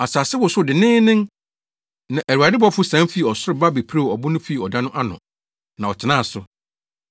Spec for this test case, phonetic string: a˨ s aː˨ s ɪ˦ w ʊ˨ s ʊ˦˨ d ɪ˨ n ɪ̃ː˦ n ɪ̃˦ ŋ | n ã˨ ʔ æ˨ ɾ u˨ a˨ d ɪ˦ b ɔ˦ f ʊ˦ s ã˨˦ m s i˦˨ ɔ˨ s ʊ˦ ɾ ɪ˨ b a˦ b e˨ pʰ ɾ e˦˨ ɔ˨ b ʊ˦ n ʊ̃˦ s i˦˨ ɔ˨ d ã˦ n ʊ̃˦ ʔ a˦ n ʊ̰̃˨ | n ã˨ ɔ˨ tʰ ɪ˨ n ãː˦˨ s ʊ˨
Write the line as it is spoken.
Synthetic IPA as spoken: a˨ s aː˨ s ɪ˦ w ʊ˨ s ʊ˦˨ d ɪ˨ n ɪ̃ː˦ n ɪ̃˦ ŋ | n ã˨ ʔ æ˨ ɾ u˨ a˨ d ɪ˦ b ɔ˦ f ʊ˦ s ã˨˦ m f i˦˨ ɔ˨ s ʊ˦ ɾ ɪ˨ b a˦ b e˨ pʰ ɾ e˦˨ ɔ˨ b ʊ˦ n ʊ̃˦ f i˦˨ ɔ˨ d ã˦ n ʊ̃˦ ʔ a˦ n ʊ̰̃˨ | n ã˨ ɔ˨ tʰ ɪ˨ n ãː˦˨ s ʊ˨